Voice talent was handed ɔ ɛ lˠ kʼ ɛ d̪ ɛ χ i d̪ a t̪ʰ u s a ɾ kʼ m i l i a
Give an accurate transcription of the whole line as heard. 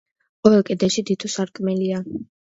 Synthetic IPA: ɔ ɛ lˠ kʼ ɛ d̪ ɛ ʃ i d̪ i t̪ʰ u s a ɾ kʼ m ɛ l i a